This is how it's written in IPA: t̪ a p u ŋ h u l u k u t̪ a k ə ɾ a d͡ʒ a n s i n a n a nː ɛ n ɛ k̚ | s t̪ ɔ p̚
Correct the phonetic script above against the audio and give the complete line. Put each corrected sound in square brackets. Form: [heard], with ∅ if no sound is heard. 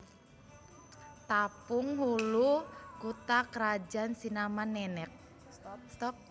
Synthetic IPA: t̪ a p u ŋ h u l u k u t̪ a k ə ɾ a d͡ʒ a n s i n a [m] a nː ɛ n ɛ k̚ | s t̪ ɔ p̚